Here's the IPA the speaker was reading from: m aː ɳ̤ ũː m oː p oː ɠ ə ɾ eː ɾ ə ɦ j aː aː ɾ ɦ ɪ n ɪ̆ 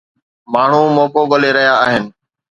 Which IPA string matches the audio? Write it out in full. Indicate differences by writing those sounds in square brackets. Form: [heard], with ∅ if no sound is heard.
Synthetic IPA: m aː ɳ̤ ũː m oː [k] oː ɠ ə [l] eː ɾ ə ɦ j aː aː [∅] ɦ ɪ n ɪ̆